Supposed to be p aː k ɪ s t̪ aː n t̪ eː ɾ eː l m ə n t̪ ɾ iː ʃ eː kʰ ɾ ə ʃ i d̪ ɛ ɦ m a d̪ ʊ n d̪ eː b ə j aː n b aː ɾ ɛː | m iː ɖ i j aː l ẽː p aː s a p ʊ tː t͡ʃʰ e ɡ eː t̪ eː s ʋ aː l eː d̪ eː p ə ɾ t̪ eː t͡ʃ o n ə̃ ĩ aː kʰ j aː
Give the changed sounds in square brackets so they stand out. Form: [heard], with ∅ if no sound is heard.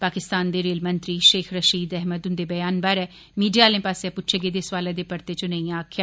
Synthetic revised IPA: p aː k ɪ s t̪ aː n [d̪] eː ɾ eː l m ə n t̪ ɾ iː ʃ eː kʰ ɾ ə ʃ [iː] d̪ ɛ ɦ m [ə] d̪ ʊ n d̪ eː b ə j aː n b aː ɾ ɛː | m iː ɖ i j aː l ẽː p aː s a p ʊ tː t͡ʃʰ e ɡ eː [d̪] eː s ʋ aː l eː d̪ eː p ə ɾ t̪ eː t͡ʃ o n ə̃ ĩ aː kʰ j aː